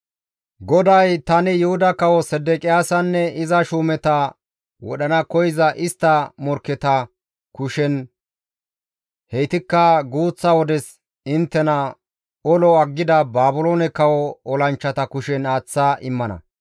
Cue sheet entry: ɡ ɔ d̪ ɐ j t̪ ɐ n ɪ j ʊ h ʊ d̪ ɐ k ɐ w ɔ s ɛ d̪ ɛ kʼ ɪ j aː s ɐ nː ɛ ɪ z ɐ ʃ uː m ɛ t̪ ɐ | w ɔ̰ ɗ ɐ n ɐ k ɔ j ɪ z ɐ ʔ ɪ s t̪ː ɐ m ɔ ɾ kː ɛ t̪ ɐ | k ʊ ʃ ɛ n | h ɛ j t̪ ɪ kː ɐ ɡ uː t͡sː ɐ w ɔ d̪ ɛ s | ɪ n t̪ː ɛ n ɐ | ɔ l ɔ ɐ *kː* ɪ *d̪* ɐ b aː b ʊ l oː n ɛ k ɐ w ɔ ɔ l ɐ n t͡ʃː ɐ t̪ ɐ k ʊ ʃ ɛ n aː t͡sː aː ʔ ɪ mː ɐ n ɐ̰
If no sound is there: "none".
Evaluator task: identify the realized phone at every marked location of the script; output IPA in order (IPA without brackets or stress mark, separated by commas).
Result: ɡː, d̪